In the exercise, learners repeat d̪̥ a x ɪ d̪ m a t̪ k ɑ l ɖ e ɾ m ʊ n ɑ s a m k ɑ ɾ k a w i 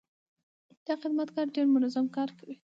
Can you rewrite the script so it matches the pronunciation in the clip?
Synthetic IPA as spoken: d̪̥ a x ɪ d̪ m a t̪ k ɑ ɾ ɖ e ɾ m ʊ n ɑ z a m k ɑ ɾ k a w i